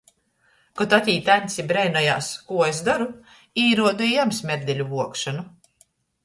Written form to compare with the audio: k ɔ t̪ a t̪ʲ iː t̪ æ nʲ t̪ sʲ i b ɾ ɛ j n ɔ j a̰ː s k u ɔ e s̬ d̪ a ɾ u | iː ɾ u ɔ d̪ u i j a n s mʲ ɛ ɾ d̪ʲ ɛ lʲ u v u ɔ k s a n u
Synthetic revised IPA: k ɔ t̪ a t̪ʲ iː t̪ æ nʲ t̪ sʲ i b ɾ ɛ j n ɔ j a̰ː s k u ɔ e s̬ d̪ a ɾ u | iː ɾ u ɔ d̪ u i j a m s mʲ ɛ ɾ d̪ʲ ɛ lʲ u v u ɔ k ʃ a n u